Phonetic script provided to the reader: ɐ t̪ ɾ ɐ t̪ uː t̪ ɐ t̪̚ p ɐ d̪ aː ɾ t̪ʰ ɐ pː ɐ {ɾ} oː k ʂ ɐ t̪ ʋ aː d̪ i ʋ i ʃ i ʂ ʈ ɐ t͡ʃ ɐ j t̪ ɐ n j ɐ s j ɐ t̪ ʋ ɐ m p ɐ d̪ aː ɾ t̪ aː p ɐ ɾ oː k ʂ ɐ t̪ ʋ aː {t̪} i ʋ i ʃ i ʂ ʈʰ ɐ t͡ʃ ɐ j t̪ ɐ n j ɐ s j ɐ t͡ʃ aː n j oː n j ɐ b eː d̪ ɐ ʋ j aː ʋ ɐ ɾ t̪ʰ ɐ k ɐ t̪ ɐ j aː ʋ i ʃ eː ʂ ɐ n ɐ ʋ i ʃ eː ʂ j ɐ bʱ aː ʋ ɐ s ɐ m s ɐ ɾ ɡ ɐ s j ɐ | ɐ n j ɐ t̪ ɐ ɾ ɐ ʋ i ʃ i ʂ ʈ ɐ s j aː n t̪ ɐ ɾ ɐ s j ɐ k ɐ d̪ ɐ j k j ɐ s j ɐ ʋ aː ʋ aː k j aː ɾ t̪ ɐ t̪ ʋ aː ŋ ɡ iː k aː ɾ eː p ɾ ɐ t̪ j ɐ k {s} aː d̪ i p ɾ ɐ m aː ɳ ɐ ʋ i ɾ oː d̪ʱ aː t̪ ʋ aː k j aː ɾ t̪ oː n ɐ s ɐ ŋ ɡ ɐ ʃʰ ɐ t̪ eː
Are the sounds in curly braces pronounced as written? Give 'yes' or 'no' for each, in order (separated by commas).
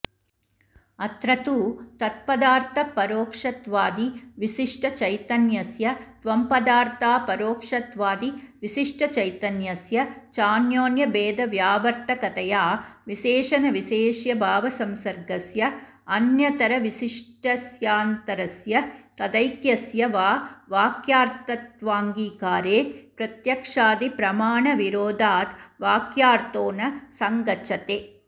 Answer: yes, no, no